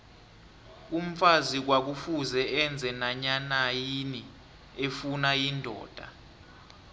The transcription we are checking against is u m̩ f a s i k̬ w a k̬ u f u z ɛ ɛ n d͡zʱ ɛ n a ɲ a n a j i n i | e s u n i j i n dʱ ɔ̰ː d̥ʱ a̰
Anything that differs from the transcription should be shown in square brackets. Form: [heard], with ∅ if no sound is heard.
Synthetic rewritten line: u m̩ f a [z] i k̬ w a k̬ u f u z ɛ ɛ n d͡zʱ ɛ n a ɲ a n a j i n i | e [f] u n [a] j i n dʱ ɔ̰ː d̥ʱ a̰